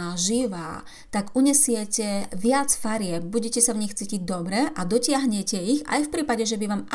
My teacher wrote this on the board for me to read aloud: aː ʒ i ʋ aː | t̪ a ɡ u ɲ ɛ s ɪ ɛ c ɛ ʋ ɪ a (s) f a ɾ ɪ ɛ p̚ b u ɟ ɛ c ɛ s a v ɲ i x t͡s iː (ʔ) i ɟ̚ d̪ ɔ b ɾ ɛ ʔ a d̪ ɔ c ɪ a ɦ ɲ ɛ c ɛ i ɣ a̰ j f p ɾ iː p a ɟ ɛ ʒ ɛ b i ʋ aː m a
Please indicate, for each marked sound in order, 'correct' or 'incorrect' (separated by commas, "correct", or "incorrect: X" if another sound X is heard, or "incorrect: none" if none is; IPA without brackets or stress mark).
incorrect: t͡s, incorrect: c